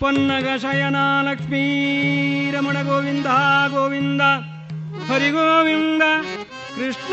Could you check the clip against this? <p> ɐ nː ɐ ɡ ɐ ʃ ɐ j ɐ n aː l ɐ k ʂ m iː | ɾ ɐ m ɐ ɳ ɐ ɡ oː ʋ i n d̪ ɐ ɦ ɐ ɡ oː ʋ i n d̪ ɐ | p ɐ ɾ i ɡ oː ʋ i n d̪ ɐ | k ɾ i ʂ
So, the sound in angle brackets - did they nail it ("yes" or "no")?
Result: yes